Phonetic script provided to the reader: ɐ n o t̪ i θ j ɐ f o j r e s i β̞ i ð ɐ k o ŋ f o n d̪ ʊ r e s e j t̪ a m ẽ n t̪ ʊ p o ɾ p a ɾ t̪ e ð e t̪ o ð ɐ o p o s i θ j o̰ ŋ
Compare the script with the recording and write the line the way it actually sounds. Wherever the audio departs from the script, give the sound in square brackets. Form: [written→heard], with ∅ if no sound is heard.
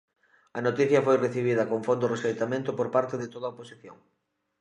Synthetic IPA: ɐ n o t̪ i θ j ɐ f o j r e [s→θ] i β̞ i ð ɐ k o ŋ f o n d̪ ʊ r e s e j t̪ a m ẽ n t̪ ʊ p o ɾ p a ɾ t̪ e ð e t̪ o ð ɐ o p o s i θ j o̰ ŋ